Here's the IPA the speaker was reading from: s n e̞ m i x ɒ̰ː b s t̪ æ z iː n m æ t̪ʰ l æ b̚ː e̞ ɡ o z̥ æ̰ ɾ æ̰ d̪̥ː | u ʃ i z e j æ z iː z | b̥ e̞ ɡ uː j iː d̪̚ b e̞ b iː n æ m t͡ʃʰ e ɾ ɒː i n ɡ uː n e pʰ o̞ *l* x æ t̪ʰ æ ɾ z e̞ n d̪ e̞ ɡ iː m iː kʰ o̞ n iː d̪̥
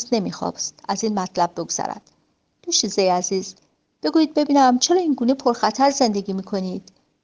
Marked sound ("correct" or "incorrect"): incorrect